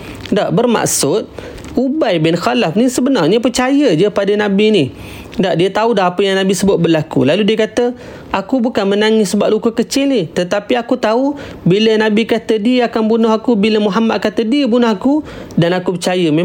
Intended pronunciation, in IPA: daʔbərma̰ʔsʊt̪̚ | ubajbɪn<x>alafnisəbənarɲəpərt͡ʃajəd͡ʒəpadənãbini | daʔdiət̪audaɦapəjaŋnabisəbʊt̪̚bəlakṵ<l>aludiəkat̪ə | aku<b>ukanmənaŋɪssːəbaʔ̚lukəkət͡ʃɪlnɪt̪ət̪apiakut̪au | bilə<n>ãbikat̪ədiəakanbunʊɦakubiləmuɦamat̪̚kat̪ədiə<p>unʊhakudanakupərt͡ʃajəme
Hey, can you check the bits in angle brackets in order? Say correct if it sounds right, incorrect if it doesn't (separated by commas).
correct, correct, correct, correct, incorrect